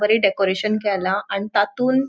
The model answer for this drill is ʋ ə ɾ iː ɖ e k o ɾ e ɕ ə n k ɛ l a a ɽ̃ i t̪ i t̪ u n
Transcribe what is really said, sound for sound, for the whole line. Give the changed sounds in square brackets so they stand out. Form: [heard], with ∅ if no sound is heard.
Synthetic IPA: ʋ ə ɾ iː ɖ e k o ɾ e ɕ ə n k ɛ l a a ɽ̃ i t̪ [a] t̪ [uː] n